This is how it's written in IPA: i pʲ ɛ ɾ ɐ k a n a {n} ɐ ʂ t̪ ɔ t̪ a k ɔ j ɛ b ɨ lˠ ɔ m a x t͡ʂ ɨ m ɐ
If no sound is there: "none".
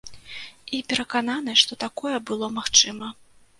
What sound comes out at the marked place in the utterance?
n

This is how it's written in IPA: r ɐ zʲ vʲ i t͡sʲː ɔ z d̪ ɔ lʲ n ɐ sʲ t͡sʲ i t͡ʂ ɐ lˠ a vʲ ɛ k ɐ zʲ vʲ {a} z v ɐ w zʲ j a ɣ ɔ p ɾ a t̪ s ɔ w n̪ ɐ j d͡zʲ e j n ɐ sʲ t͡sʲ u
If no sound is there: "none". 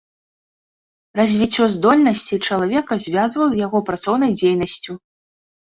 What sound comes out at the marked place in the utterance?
a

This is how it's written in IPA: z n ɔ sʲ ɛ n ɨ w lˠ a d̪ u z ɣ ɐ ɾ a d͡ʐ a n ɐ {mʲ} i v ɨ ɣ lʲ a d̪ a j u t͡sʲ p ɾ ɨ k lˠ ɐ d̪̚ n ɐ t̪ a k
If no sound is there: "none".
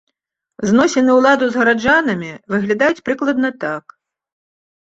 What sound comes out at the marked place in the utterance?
mʲ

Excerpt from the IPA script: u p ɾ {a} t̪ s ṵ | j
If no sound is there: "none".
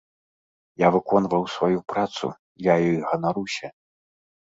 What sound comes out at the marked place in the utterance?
a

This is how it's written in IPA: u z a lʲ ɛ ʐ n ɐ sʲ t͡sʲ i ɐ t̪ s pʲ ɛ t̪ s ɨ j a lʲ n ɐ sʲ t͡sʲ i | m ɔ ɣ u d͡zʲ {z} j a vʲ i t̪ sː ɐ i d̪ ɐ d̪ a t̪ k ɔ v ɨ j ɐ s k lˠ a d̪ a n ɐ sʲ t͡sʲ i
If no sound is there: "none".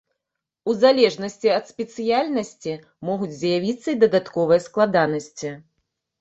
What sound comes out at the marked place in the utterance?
z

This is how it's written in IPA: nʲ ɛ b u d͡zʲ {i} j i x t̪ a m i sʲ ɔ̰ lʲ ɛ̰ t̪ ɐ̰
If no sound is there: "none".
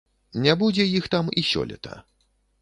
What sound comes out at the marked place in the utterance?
ɛ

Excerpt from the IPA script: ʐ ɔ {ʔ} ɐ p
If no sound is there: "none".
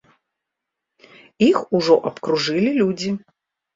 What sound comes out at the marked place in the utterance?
ʔ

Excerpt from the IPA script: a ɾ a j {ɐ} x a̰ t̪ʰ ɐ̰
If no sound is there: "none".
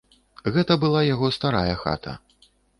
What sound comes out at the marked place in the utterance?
ɐ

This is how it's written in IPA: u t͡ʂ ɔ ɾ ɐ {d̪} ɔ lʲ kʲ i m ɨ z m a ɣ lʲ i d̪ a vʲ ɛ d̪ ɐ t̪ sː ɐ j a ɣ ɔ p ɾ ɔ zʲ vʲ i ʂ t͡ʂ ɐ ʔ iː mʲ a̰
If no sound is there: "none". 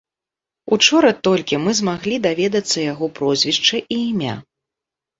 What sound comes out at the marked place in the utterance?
t̪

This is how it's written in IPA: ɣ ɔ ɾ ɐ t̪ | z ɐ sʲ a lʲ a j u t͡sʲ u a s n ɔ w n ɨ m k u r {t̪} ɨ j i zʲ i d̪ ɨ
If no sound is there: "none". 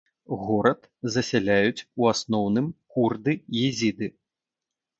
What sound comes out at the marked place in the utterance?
d̪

